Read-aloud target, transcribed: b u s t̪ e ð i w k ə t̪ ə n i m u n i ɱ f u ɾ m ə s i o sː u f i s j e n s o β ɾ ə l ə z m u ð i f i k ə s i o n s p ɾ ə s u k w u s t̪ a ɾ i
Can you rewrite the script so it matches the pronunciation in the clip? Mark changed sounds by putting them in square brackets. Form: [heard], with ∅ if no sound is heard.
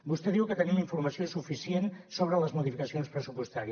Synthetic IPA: b u s t̪ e ð i w k ə t̪ ə n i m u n i ɱ f u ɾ m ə s i o [s] u f i s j e n s o β ɾ ə l ə z m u ð i f i k ə s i o n s p ɾ ə s u [p] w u s t̪ a ɾ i